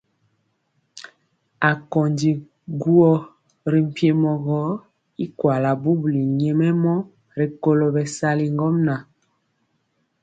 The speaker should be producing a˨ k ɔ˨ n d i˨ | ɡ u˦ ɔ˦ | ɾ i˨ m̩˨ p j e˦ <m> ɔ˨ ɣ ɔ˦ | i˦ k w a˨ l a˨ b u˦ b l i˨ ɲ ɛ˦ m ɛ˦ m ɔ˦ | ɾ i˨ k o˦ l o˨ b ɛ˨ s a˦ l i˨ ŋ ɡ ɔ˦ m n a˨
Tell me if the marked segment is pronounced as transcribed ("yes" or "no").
yes